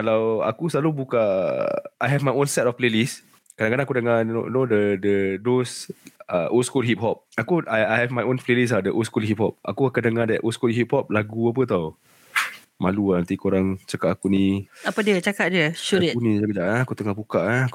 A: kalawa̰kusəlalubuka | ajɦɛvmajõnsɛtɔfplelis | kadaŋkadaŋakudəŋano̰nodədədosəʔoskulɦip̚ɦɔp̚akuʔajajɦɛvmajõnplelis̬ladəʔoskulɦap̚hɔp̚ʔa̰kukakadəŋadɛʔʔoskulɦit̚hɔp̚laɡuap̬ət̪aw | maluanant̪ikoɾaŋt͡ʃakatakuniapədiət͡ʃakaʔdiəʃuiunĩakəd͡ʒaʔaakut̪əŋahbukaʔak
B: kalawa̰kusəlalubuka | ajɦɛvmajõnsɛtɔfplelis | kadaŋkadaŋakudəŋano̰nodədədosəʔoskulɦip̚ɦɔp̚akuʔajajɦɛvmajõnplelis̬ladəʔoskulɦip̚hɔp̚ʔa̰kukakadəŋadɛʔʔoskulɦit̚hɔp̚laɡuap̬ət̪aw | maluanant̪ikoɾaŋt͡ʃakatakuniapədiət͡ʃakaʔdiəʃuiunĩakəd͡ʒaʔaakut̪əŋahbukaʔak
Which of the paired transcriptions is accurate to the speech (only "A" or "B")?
B